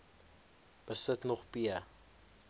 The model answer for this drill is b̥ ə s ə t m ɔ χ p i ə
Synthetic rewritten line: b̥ ə s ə t n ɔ χ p i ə